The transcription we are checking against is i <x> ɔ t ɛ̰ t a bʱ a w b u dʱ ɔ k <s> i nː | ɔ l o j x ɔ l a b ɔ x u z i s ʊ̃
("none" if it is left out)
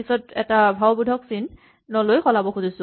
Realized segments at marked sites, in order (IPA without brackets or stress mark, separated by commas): s, s